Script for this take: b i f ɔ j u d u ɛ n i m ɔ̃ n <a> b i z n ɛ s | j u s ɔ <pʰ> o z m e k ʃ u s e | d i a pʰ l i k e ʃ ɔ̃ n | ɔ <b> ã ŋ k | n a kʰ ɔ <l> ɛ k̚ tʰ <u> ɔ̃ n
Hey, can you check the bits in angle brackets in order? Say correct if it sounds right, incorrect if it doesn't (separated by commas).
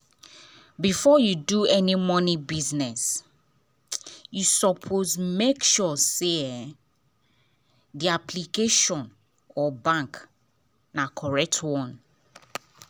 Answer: incorrect, correct, correct, incorrect, incorrect